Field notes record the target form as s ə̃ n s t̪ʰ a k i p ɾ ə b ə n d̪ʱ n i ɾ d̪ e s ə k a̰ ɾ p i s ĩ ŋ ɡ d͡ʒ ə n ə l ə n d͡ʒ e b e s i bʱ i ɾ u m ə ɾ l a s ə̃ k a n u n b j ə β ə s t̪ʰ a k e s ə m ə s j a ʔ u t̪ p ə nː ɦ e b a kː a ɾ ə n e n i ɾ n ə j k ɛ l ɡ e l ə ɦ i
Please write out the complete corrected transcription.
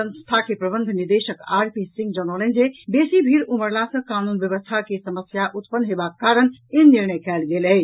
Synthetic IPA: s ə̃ n s t̪ʰ a k e p ɾ ə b ə n d̪ʱ n i ɾ d̪ e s ə k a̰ ɾ p i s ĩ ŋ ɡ d͡ʒ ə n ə l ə n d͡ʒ e b e s i bʱ i ɾ u m ə ɾ l a s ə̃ k a n u n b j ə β ə s t̪ʰ a k e s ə m ə s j a ʔ u t̪ p ə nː ɦ e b a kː a ɾ ə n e n i ɾ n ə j k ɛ l ɡ e l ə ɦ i

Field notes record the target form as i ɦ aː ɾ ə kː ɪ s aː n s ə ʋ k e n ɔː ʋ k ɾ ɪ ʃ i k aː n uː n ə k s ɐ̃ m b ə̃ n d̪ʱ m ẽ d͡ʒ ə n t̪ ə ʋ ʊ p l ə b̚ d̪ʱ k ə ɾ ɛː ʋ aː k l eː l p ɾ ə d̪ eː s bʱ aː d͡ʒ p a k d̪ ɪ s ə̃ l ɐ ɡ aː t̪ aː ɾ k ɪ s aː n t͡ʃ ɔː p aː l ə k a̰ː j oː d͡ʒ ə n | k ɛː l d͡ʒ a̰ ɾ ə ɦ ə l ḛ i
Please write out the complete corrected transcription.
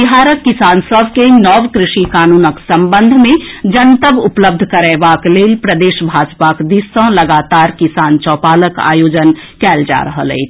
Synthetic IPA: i ɦ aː ɾ ə kː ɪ s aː n s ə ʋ k e n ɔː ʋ k ɾ ɪ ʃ i k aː n uː n ə k s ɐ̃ m b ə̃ n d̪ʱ m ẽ d͡ʒ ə n t̪ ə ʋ ʊ p l ə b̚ d̪ʱ k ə ɾ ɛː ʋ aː k l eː l p ɾ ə d̪ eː ʃ bʱ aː d͡ʒ p a k d̪ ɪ s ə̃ l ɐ ɡ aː t̪ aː ɾ k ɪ s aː n t͡ʃ ɔː p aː l ə k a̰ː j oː d͡ʒ ə n | k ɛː l d͡ʒ a̰ ɾ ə ɦ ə l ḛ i

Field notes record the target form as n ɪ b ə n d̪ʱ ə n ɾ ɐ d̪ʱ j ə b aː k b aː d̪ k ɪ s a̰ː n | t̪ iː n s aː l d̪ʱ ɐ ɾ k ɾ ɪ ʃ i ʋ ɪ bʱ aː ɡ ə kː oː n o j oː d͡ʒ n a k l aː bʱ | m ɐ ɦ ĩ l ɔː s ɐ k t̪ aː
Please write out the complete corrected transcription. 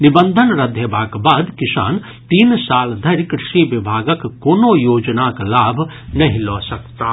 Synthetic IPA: n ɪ b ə n d̪ʱ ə n ɾ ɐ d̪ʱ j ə b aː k b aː d̪ k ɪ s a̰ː n | t̪ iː n s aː l d̪ʱ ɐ ɾ k ɾ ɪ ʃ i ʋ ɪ bʱ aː ɡ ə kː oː n o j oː d͡ʒ n a k l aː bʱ | n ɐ ɦ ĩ l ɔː s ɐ k t̪ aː

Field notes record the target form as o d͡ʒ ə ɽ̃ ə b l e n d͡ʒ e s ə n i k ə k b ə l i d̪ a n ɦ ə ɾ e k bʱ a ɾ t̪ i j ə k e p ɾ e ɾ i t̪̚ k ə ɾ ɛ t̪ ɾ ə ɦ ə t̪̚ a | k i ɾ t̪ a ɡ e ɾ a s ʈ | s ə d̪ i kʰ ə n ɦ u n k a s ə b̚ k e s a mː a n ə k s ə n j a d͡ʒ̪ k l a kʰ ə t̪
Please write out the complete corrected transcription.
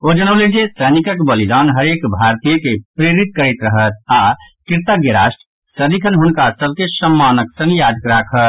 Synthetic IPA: o d͡ʒ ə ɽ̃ ə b l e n d͡ʒ e s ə n i k ə k b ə l i d̪ a n ɦ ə ɾ e k bʱ a ɾ t̪ i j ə k e p ɾ e ɾ i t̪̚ k ə ɾ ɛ t̪ ɾ ə ɦ ə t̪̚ a | k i ɾ t̪ a ɡ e ɾ a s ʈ | s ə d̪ i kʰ ə n ɦ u n k a s ə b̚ k e s ə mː a n ə k s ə n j a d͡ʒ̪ k ɾ a kʰ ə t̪

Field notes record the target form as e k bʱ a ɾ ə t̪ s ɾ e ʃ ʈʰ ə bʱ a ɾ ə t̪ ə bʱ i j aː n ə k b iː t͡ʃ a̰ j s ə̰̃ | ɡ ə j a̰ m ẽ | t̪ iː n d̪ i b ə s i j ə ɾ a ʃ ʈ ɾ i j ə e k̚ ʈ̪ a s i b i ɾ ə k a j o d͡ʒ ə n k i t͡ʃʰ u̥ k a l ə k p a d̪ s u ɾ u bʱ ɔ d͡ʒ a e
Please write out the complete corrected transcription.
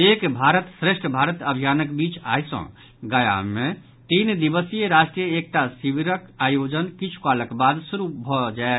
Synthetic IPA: e k bʱ a ɾ ə t̪ s ɾ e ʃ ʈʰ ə bʱ a ɾ ə t̪ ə bʱ i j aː n ə k b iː t͡ʃ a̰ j s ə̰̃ | ɡ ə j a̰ m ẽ | t̪ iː n d̪ i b ə s i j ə ɾ a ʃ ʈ ɾ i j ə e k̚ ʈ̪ a s i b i ɾ ə k a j o d͡ʒ ə n k i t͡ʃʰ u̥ k a l ə k b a d̪ s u ɾ u bʱ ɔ d͡ʒ a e

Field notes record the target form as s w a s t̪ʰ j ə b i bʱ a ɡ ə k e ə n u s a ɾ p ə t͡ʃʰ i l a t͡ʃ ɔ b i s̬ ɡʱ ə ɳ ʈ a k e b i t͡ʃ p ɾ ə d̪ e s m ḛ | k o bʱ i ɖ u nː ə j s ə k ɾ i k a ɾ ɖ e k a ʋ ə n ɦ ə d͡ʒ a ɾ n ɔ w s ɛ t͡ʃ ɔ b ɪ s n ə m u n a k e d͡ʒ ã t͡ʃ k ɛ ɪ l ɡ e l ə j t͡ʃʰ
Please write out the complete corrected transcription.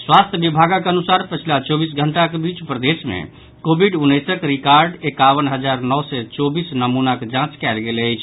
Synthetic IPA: s w a s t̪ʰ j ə b i bʱ a ɡ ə k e ə n u s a ɾ p ə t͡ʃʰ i l a t͡ʃ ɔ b i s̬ ɡʱ ə ɳ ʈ a k e b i t͡ʃ p ɾ ə d̪ e s m ḛ | k o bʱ i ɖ u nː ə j s ə k ɾ i k a ɾ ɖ e k a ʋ ə n ɦ ə d͡ʒ a ɾ n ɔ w s ɛ t͡ʃ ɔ b i s n ə m u n a k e d͡ʒ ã t͡ʃ k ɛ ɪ l ɡ e l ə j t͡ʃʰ

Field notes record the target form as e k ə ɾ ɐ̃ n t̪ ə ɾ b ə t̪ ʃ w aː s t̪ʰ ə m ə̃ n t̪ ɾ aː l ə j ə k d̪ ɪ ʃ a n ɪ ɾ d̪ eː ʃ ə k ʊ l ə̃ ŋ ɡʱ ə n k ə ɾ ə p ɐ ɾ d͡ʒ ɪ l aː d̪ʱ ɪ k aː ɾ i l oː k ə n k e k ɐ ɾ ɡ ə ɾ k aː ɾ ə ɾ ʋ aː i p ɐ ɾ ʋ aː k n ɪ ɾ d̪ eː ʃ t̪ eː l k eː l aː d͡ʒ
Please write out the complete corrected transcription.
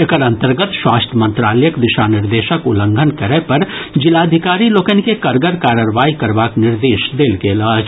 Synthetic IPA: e k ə ɾ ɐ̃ n t̪ ə ɾ ɡ ə t̪ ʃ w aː s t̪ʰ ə m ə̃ n t̪ ɾ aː l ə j ə k d̪ ɪ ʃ a n ɪ ɾ d̪ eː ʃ ə k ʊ l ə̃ ŋ ɡʱ ə n k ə ɾ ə p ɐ ɾ d͡ʒ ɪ l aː d̪ʱ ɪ k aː ɾ i l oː k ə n k e k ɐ ɾ ɡ ə ɾ k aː ɾ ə ɾ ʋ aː i k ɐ ɾ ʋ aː k n ɪ ɾ d̪ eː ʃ d̪ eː l k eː l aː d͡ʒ

